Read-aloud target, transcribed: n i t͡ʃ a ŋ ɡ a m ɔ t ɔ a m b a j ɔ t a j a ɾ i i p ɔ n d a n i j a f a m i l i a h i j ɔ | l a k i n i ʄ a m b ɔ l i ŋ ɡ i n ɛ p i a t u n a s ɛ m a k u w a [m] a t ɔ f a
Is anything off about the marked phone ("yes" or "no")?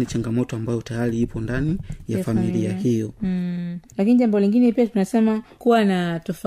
yes